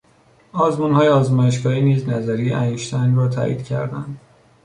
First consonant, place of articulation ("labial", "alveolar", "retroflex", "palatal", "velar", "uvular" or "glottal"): alveolar